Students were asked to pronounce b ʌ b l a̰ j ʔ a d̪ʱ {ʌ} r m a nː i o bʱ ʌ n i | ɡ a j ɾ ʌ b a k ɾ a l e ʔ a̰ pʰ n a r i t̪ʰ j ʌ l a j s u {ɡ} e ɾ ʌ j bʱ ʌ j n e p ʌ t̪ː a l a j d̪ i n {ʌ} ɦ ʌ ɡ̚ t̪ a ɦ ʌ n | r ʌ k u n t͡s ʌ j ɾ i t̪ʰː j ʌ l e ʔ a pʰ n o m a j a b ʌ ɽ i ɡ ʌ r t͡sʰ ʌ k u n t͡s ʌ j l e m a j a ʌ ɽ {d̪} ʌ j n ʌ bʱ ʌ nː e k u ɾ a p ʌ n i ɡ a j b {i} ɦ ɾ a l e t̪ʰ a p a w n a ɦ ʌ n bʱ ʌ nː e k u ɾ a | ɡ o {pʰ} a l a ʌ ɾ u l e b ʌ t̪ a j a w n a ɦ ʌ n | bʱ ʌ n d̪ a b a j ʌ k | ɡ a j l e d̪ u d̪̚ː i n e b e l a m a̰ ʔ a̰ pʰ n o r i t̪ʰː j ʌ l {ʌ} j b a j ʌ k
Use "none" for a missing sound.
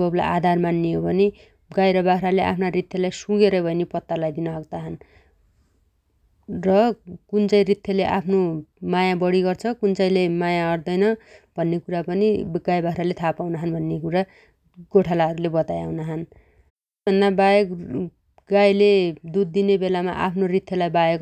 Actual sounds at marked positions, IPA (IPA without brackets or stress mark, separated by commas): a, ɡ, ʌ, d̪, a, ʈʰ, a